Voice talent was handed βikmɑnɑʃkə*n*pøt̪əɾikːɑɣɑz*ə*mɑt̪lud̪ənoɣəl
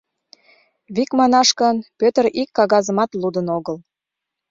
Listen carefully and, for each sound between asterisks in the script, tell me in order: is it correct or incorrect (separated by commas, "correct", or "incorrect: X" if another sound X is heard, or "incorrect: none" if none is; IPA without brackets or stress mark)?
correct, correct